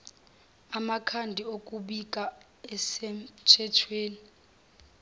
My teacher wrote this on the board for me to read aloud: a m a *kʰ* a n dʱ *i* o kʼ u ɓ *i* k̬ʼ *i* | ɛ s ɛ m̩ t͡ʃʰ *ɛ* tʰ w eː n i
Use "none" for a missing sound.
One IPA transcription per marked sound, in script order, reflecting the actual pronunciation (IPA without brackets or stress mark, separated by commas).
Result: kʰ, i, i, a, ɛ